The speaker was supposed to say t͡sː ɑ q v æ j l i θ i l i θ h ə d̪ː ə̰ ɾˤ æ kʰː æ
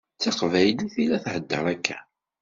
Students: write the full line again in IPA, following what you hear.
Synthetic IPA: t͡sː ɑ q v æ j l i θ i l æ θ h ə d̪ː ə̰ ɾˤ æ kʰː æ

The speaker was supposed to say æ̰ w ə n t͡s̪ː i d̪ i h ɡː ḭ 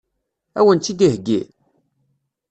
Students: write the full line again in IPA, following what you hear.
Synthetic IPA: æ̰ w ə n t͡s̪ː i d̪ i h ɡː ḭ

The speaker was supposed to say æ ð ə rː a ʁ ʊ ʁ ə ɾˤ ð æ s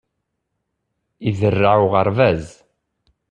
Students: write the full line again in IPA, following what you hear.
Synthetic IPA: i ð ə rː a ʕ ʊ ʁ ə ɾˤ v æ z

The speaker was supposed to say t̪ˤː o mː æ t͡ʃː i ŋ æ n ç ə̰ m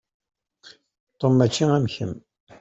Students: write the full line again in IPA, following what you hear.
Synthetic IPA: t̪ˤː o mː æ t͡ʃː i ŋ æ m ç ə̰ m

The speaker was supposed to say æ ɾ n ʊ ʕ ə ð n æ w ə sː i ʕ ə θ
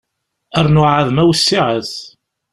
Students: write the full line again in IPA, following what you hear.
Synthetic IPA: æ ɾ n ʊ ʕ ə ð m æ w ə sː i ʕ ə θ

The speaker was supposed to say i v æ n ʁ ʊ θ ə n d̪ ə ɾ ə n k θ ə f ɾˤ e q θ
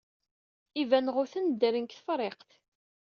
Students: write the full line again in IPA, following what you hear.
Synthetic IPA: i v æ n ʁ ʊ θ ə n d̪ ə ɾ ə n k θ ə f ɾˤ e q θ

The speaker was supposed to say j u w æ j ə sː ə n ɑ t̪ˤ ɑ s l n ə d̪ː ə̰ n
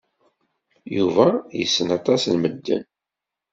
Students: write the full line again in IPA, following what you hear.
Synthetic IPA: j u v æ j ə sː ə n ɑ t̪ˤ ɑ s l m ə d̪ː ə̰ n

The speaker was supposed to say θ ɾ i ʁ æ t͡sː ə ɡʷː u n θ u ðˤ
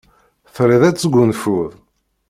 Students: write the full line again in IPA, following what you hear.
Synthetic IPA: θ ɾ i ð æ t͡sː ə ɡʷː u n f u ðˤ

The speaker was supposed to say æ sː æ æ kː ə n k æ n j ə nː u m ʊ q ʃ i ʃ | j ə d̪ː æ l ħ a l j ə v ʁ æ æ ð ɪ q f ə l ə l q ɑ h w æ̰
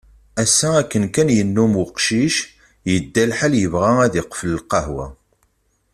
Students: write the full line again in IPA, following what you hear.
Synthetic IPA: æ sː æ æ kː ə n k æ n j ə nː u m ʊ q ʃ i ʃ | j ə d̪ː æ l ħ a l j ə v ʁ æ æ ð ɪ q f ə l ə l q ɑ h w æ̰

